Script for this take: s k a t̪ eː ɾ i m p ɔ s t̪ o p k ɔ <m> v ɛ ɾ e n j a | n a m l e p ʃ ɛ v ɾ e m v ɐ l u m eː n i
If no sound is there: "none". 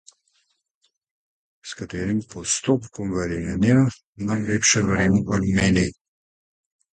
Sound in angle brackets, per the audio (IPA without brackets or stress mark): m